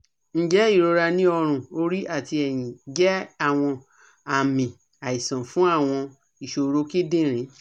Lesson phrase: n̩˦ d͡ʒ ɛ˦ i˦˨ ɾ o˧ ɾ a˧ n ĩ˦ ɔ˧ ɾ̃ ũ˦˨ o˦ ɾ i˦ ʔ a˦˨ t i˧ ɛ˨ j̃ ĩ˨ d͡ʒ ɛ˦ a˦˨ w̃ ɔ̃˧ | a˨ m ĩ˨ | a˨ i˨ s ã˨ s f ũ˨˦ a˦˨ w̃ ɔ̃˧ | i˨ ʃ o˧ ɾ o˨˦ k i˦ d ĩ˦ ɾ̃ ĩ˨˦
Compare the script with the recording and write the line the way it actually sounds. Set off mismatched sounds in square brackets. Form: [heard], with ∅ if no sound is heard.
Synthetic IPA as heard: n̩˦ d͡ʒ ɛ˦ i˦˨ ɾ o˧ ɾ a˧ n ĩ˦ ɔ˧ ɾ̃ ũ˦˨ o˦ ɾ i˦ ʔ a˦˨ t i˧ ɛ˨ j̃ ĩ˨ d͡ʒ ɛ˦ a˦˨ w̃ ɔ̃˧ | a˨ m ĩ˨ | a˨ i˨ s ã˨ [∅] f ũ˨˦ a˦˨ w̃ ɔ̃˧ | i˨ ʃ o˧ ɾ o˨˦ k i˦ d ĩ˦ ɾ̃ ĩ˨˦